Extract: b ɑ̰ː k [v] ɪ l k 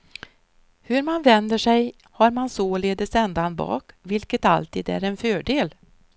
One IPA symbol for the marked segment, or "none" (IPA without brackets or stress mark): v